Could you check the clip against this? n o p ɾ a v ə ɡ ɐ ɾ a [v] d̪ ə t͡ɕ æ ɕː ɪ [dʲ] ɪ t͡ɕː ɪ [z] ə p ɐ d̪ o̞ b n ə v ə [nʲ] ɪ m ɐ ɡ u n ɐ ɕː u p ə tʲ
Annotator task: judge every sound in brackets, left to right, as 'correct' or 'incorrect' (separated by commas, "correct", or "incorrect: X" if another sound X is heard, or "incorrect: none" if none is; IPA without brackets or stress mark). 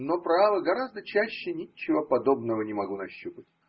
incorrect: z, incorrect: nʲ, incorrect: v, correct